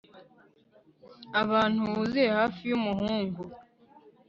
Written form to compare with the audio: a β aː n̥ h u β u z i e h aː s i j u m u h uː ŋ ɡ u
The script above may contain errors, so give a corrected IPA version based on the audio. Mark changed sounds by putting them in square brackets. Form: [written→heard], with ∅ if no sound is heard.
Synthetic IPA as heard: a β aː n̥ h u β u z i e h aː [s→f] i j u m u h uː ŋ ɡ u